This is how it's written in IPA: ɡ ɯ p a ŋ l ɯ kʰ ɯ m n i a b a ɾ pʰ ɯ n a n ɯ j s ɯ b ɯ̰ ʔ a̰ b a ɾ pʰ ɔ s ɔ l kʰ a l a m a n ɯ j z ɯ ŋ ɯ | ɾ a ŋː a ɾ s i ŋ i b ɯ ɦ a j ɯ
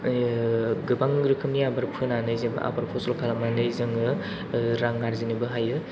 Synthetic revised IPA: ɡ ɯ b a ŋ ɾ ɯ kʰ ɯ m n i a b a ɾ pʰ ɯ n a n ɯ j z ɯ b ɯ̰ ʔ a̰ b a ɾ pʰ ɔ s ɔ l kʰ a l a m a n ɯ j z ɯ ŋ ɯ | ɾ a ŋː a ɾ z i n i b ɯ ɦ a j ɯ